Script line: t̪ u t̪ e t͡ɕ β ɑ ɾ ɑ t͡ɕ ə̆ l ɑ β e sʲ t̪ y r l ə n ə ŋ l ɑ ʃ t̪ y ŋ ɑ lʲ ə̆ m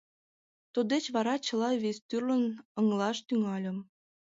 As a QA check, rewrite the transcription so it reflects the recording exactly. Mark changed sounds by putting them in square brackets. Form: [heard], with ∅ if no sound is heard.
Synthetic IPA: t̪ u [d̪] e t͡ɕ β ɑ ɾ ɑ t͡ɕ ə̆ l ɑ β e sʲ t̪ y r l ə n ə ŋ l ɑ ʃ t̪ y ŋ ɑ lʲ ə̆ m